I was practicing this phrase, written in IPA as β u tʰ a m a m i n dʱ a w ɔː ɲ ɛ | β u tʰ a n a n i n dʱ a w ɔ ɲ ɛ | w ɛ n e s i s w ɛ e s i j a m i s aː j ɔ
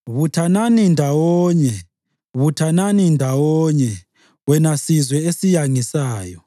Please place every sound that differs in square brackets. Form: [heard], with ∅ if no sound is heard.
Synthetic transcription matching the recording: β u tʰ a [n] a [n] i n dʱ a w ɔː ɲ ɛ | β u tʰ a n a n i n dʱ a w ɔ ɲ ɛ | w ɛ n [a] s i [z] w ɛ e s i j a [ŋ] i s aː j ɔ

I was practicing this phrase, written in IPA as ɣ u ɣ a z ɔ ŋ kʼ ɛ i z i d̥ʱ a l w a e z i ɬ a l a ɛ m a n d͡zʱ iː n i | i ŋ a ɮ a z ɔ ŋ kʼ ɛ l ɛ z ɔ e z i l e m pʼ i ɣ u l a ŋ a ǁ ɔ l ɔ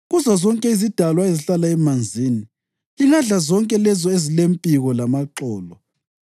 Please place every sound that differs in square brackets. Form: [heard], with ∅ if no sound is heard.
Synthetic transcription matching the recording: ɣ u [z] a z ɔ ŋ kʼ ɛ i z i d̥ʱ a l w a e z i ɬ a l a ɛ m a n d͡zʱ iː n i | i ŋ a ɮ a z ɔ ŋ kʼ ɛ l ɛ z ɔ e z i l e m pʼ i ɣ [ɔ] l a [m] a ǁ [ɔː] l ɔ

